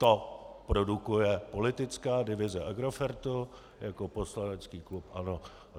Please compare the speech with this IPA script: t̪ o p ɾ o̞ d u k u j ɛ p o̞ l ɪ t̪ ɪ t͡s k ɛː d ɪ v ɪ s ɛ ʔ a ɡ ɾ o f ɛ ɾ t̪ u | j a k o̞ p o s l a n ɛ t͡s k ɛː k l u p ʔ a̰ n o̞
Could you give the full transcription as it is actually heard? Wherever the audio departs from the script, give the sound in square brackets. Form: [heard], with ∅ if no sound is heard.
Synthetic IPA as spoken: t̪ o p ɾ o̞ d u k u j ɛ p o̞ l ɪ t̪ ɪ t͡s k [aː] d ɪ v ɪ [z] ɛ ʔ a ɡ ɾ o f ɛ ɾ t̪ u | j a k o̞ p o s l a n ɛ t͡s k [iː] k l u p ʔ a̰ n o̞